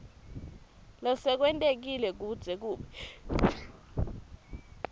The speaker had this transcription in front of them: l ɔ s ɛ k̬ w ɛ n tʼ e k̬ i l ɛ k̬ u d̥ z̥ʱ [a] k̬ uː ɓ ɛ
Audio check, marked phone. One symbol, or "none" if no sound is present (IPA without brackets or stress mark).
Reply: ɛ